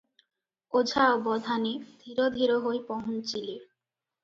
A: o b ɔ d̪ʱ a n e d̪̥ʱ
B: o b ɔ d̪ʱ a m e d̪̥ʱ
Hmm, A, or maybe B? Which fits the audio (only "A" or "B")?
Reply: A